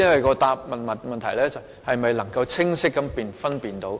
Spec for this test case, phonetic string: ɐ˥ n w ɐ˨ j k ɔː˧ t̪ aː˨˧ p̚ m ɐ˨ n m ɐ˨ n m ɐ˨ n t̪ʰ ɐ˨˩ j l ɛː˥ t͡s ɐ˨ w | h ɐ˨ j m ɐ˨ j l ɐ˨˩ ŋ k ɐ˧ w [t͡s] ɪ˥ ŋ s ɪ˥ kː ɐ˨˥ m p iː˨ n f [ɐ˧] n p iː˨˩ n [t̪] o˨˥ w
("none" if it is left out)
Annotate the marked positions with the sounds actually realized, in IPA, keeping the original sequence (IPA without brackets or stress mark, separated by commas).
t͡sʰ, ɐ˥, t̪